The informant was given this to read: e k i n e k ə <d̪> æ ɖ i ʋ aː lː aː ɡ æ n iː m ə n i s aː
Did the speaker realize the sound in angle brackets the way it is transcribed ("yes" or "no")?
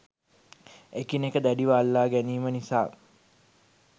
yes